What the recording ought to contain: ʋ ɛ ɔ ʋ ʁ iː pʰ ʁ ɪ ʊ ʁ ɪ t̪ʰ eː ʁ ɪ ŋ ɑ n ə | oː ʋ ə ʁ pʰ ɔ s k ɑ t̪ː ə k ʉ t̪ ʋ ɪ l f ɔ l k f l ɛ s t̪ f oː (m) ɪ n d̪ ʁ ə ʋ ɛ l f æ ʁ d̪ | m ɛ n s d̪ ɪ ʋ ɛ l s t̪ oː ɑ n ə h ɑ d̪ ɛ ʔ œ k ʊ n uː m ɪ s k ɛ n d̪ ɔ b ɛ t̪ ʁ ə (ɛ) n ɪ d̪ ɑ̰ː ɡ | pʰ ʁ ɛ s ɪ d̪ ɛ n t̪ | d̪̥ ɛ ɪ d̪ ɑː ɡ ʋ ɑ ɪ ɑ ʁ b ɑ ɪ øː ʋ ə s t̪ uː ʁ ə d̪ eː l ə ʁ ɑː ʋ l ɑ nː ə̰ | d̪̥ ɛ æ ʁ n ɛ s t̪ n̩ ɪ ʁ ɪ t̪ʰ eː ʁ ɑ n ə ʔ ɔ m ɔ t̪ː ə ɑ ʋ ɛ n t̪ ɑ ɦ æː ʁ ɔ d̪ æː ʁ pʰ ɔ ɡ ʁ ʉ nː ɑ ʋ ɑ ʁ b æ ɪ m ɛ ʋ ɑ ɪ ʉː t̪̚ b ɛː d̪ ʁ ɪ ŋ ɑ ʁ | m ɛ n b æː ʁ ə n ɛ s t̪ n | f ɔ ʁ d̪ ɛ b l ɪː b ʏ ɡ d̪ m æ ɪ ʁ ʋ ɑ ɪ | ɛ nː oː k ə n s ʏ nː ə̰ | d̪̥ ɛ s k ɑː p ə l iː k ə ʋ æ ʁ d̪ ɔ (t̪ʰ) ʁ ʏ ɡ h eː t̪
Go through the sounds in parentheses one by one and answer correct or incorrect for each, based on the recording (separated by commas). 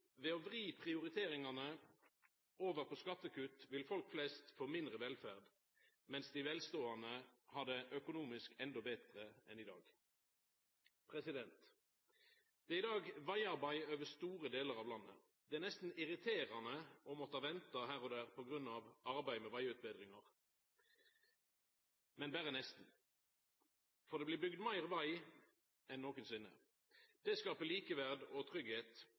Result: correct, correct, correct